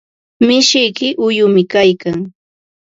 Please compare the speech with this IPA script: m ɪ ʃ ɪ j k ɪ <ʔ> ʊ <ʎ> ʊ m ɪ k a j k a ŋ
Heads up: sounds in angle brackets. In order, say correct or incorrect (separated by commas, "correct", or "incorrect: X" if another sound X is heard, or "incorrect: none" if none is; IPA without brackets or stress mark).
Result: correct, incorrect: j